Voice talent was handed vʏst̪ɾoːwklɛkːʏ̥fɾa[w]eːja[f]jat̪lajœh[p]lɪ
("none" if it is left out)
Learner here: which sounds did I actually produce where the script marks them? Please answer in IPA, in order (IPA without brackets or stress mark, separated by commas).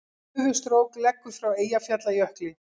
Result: w, f, k